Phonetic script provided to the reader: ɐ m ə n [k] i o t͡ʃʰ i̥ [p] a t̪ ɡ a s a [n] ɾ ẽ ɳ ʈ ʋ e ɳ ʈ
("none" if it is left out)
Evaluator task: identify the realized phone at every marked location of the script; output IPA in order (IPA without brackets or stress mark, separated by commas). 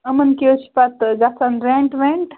k, p, n